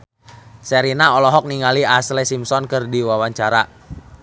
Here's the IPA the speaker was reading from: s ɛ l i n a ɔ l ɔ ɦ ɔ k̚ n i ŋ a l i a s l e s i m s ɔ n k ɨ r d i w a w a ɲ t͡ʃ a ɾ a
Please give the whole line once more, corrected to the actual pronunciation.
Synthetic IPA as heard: s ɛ ɾ i n a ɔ l ɔ ɦ ɔ k̚ n i ŋ a l i a s l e s i m s ɔ n k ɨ r d i w a w a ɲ t͡ʃ a ɾ a